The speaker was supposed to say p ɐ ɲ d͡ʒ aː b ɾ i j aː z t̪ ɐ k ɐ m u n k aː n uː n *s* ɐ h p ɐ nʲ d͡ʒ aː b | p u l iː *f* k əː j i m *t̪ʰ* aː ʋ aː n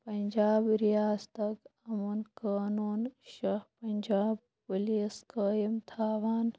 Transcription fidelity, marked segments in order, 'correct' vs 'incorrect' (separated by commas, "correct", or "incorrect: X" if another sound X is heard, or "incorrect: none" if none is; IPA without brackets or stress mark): incorrect: ʃ, incorrect: s, correct